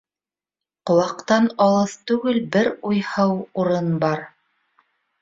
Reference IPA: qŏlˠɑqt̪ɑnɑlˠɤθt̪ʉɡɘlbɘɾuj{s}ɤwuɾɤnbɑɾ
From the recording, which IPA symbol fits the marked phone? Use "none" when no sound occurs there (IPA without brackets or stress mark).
h